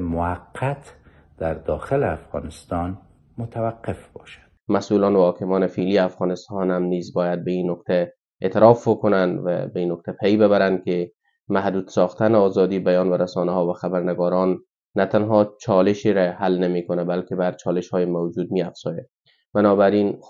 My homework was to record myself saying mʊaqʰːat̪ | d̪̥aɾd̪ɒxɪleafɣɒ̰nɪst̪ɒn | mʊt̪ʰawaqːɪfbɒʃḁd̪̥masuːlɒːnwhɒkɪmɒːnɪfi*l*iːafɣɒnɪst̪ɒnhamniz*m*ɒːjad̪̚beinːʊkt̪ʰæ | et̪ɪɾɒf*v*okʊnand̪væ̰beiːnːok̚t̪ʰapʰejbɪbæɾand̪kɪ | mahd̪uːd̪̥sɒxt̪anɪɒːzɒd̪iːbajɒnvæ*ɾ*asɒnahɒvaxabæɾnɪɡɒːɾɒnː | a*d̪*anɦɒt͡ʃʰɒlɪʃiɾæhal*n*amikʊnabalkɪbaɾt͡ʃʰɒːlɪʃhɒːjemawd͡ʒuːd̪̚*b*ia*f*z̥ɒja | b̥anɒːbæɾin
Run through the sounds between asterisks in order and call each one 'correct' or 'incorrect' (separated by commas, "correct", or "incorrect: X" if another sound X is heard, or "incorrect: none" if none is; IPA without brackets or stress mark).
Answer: correct, incorrect: b, incorrect: b, correct, incorrect: t̪, correct, incorrect: m, correct